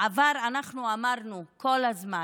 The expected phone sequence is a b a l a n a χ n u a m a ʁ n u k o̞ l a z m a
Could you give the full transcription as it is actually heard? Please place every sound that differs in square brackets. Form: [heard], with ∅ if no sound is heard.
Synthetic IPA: a [v] a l a n a χ n u a m a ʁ n u k o̞ l a z m a